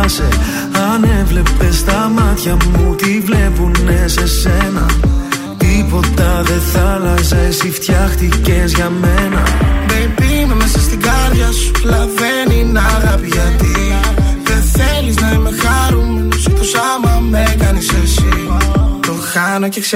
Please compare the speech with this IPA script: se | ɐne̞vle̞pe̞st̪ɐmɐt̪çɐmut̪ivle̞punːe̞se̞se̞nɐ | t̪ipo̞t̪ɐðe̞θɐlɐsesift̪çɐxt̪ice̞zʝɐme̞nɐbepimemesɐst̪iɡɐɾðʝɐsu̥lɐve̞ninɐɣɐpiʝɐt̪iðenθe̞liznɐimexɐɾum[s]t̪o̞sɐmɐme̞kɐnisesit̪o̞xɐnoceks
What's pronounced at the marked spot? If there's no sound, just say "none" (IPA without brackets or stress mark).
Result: s